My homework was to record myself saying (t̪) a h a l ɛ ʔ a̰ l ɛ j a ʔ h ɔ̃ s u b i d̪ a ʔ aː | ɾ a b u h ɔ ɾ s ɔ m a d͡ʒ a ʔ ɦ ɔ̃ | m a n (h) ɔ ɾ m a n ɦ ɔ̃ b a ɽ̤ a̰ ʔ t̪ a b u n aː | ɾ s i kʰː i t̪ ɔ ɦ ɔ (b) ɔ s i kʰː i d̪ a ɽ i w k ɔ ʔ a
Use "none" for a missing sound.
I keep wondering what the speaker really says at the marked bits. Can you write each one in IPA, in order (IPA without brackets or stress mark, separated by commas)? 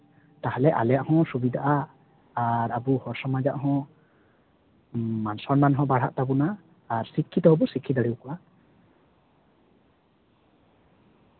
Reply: t̪, s, b